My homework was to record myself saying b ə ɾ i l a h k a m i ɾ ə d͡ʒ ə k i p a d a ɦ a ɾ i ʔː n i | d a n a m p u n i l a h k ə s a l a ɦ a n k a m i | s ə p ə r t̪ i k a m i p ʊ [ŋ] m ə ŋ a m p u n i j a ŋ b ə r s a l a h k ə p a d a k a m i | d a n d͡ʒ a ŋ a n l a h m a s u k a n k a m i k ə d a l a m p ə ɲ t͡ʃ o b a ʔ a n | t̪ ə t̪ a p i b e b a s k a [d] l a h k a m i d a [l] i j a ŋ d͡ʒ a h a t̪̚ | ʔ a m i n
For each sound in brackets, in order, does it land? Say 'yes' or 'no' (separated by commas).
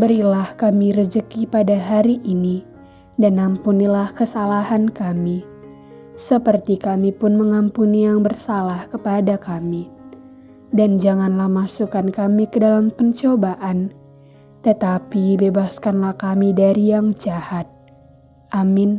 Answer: no, no, no